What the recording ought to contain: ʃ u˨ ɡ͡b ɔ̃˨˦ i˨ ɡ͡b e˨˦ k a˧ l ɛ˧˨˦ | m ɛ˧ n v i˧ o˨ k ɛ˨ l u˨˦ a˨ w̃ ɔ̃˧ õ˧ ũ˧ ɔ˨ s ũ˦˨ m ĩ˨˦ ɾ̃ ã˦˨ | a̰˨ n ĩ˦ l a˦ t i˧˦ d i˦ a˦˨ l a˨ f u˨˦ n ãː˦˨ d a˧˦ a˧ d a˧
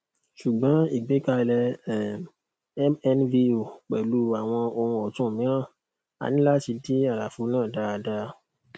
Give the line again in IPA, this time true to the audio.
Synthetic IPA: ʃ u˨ ɡ͡b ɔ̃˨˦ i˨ ɡ͡b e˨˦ k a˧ l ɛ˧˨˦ | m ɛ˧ n v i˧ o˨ k͡p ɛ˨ l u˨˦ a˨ w̃ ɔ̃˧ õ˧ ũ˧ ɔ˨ t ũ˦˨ m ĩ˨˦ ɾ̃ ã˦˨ | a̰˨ n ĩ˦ l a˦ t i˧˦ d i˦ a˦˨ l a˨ f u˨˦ n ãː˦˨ d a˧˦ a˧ d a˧